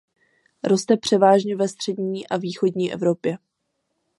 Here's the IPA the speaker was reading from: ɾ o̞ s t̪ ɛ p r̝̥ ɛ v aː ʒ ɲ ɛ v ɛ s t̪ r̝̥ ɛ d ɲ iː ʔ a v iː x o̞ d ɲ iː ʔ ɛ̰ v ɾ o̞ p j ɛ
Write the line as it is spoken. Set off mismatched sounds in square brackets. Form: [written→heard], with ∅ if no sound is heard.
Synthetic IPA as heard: ɾ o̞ s t̪ ɛ p r̝̥ ɛ v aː ʒ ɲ ɛ v ɛ s t̪ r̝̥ ɛ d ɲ iː ʔ a v iː x o̞ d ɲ iː ʔ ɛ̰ v ɾ o̞ p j ɛ